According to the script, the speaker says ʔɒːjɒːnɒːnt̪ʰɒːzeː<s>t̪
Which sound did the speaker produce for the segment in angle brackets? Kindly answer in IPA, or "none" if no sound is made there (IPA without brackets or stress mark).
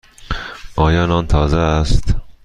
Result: s